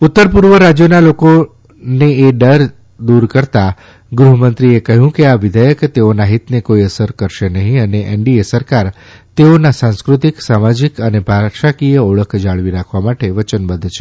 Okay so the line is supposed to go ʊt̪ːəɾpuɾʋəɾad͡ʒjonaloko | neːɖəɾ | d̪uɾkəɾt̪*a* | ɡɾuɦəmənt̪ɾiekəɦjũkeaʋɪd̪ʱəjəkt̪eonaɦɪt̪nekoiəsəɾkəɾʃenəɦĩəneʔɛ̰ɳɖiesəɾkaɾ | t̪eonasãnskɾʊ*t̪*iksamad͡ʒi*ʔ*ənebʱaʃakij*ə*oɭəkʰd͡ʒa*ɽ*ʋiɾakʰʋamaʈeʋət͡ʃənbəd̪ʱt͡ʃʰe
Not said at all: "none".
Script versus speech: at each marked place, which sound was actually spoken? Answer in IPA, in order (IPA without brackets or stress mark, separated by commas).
a, t̪, k, ə, ɭ